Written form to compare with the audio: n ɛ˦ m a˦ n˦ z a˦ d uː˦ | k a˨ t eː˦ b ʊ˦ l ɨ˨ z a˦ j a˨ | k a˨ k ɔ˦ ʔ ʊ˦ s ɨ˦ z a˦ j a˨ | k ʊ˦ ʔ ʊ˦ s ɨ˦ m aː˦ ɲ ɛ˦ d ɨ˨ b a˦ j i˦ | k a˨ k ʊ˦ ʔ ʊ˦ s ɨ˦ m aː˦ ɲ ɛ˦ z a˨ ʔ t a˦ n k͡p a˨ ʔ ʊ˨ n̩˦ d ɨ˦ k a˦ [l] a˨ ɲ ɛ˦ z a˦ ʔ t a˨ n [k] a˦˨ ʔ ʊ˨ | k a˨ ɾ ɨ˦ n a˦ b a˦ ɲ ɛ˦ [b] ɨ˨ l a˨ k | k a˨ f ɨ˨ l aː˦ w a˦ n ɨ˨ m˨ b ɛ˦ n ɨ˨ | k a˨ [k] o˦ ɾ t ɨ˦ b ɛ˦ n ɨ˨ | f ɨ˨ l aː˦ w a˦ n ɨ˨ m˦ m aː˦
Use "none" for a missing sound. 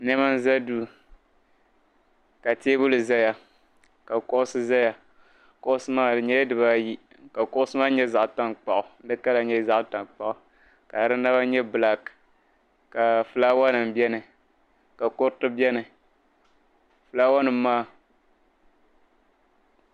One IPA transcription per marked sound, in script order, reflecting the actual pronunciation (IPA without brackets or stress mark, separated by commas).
l, k͡p, b, k